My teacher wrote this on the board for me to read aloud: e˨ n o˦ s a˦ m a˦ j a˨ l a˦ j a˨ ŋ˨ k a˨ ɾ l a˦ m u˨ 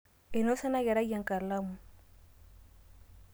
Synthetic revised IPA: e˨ n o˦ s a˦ n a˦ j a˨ ɾ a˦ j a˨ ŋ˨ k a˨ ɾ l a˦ m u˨